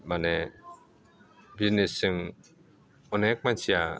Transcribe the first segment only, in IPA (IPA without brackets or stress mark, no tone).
m